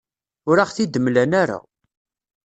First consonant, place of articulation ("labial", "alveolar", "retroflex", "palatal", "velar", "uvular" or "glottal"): alveolar